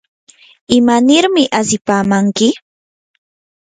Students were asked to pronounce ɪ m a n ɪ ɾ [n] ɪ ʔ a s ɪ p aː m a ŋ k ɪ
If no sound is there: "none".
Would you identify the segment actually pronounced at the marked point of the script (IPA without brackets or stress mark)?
m